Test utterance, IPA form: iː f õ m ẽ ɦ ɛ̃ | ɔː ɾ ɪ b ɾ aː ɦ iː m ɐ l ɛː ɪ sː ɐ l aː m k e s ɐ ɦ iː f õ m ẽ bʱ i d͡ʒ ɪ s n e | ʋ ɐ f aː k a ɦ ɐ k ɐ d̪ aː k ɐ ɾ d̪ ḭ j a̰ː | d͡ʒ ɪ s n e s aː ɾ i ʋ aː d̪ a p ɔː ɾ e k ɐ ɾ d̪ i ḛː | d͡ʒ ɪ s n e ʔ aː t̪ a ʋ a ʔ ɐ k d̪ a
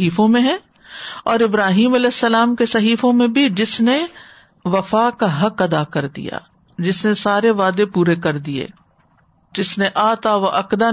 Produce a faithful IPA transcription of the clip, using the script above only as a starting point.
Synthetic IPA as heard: iː f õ m ẽ ɦ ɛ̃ | ɔː ɾ ɪ b ɾ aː ɦ iː m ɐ l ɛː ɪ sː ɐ l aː m k e s ɐ ɦ iː f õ m ẽ bʱ i d͡ʒ ɪ s n e | ʋ ɐ f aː k a ɦ ɐ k ɐ d̪ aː k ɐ ɾ d̪ ḭ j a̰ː | d͡ʒ ɪ s n e s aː ɾ e ʋ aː d̪ e p uː ɾ e k ɐ ɾ d̪ i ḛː | d͡ʒ ɪ s n e ʔ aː t̪ a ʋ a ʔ ɐ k d̪ a